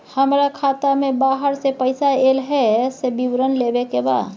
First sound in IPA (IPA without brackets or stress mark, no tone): h